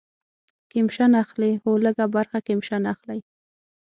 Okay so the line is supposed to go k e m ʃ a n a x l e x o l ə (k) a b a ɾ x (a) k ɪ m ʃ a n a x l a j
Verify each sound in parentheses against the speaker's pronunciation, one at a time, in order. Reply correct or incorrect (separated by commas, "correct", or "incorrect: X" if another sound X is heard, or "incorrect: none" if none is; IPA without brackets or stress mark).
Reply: incorrect: ɡ, correct